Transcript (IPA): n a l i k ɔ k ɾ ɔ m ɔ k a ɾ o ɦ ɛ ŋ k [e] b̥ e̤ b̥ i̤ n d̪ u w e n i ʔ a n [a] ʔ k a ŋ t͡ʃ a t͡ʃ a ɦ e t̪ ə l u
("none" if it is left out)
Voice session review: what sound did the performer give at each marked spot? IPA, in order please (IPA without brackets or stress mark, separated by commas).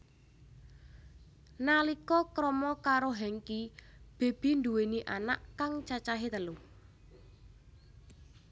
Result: i, a